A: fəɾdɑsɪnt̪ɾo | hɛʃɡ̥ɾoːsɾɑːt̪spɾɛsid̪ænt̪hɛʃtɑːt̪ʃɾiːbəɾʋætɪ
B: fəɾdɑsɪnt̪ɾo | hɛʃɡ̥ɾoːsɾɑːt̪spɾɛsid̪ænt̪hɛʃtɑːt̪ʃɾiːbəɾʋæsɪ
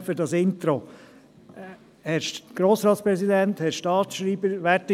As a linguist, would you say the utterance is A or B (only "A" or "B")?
A